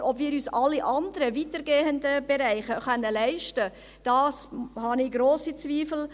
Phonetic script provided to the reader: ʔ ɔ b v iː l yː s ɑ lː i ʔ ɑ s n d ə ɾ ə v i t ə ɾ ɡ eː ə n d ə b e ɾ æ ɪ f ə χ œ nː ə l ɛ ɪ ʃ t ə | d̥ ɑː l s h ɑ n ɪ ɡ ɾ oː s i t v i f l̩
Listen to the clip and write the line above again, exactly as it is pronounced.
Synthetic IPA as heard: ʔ ɔ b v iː ɾ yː s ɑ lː i ʔ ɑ n d ə ɾ ə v i t ə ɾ ɡ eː ə n d ə b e ɾ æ ɪ χ ə χ œ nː ə l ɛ ɪ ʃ t ə | d̥ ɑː s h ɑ n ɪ ɡ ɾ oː s i t͡s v iː f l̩